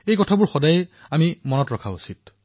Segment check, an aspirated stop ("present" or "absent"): present